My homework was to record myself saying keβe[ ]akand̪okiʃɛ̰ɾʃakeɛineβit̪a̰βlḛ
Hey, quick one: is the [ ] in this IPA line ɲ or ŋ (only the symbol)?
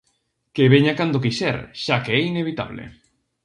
ɲ